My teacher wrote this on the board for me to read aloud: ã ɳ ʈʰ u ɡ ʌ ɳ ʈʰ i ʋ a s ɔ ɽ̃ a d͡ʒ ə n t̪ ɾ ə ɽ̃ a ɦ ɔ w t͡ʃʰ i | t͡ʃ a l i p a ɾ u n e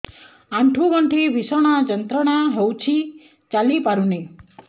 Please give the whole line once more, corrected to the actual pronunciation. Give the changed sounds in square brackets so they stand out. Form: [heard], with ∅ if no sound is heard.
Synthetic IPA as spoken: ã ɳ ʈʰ u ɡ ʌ ɳ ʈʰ i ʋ [i] s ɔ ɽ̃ a d͡ʒ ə n t̪ ɾ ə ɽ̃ a ɦ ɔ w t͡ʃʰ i | t͡ʃ a l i p a ɾ u n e